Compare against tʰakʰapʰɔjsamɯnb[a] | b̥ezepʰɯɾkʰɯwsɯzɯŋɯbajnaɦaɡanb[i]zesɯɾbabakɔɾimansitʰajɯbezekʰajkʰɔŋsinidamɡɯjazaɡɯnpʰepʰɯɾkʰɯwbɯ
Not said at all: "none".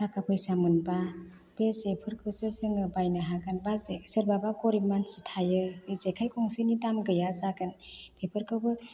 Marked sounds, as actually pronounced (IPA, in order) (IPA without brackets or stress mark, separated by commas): a, a